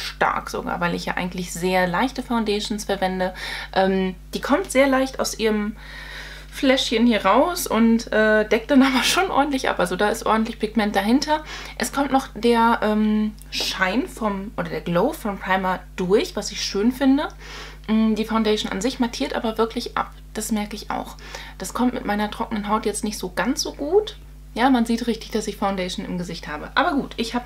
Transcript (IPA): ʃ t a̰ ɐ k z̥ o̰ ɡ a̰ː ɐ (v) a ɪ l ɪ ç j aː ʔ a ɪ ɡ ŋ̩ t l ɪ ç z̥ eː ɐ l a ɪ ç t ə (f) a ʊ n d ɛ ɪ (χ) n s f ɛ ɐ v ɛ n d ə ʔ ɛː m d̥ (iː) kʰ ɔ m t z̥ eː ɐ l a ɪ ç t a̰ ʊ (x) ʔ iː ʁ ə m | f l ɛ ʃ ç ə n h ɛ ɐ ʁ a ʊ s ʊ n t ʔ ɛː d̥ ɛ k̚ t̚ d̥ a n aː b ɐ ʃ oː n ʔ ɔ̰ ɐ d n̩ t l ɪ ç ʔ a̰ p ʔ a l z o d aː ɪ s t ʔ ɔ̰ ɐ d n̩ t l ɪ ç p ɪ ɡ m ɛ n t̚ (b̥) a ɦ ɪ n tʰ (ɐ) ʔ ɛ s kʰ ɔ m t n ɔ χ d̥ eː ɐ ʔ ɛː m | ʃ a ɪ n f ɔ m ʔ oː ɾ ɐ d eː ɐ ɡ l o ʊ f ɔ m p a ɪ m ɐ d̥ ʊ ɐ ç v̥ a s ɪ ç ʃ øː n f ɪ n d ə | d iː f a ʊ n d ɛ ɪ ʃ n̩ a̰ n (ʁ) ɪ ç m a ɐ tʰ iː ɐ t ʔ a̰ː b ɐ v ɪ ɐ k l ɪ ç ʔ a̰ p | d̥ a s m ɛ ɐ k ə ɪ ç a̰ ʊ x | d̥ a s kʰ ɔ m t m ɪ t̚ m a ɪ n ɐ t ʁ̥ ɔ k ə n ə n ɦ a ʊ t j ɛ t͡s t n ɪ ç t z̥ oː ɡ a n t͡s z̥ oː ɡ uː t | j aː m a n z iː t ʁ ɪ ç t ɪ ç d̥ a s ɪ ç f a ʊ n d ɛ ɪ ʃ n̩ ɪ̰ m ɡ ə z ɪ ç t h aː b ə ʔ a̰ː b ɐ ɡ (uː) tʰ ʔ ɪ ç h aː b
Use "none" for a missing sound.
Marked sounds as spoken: v, f, ʃ, iː, s, d̥, ɐ, z, uː

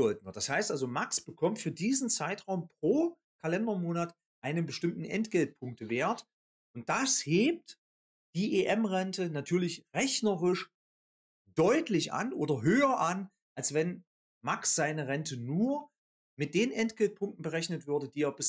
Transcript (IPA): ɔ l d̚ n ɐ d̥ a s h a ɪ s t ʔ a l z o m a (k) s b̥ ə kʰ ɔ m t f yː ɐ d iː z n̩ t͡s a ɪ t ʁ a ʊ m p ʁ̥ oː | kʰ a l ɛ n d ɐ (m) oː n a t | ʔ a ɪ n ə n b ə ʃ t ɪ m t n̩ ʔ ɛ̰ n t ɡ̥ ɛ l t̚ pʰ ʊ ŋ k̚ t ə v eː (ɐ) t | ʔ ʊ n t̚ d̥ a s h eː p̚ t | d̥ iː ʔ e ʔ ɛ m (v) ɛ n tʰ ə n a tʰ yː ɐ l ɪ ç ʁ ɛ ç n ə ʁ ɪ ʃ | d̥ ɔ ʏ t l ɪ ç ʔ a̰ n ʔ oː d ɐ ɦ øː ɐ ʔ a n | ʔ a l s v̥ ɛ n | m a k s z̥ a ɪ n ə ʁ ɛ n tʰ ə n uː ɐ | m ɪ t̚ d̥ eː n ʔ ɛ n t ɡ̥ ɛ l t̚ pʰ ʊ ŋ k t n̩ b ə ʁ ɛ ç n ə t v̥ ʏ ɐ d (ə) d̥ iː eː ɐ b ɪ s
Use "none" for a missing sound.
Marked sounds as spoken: k, m, ɐ, ʁ, ə

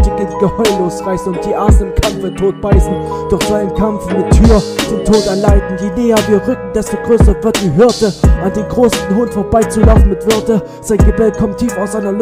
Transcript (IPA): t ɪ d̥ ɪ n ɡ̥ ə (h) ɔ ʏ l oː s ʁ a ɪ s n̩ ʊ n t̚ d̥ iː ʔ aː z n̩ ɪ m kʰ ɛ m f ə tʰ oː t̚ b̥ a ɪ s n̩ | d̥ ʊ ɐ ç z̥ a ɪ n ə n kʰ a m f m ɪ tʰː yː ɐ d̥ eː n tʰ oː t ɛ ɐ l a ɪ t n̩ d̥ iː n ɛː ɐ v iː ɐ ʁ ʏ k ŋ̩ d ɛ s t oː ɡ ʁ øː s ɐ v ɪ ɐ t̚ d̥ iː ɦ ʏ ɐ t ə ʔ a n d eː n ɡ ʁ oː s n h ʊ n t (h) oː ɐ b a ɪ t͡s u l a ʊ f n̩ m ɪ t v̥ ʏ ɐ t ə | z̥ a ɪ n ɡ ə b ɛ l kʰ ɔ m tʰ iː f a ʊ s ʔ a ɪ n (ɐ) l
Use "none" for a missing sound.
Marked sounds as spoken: h, f, ɐ

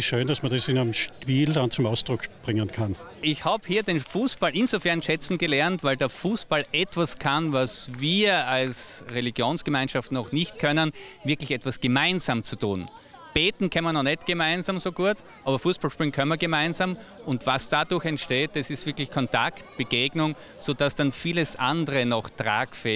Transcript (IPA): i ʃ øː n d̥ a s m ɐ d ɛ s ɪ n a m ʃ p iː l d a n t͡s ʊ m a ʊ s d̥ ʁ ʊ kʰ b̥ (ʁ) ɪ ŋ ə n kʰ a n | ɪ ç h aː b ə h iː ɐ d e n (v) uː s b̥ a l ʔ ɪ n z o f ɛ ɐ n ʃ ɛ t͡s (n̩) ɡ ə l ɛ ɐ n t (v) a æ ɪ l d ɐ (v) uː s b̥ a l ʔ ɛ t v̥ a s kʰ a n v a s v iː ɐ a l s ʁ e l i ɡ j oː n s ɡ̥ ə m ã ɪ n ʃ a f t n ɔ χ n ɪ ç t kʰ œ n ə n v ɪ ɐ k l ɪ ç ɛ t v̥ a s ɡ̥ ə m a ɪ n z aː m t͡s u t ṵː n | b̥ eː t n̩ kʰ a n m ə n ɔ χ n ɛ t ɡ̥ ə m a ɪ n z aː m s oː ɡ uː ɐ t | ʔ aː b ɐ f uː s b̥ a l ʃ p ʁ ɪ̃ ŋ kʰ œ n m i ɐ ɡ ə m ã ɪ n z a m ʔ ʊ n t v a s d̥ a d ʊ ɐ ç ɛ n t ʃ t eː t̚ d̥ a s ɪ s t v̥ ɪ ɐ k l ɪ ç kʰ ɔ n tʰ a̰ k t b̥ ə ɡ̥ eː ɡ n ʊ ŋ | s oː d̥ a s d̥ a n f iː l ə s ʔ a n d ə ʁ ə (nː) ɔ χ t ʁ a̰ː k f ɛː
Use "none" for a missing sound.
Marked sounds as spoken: ʁ, f, n̩, v, f, n

